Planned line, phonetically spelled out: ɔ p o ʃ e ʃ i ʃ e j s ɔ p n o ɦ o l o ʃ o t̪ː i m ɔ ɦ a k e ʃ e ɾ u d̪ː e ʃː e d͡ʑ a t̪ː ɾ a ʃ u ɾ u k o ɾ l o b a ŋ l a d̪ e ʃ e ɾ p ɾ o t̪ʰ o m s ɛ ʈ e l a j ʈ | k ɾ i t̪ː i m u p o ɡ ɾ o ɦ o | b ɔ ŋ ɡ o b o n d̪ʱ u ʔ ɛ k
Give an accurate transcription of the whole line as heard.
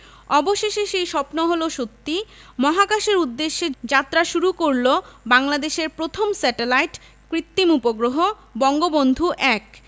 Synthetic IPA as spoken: ɔ b o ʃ e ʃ e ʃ e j ʃ ɔ p n o ɦ o l o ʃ o t̪ː i m ɔ ɦ a k a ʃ e ɾ u d̪ː e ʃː e d͡ʑ a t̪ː ɾ a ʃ u ɾ u k o ɾ l o b a ŋ l a d̪ e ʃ e ɾ p ɾ o t̪ʰ o m s ɛ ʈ e l a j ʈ | k ɾ i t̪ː i m u p o ɡ ɾ o ɦ o | b ɔ ŋ ɡ o b o n d̪ʱ u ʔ ɛ k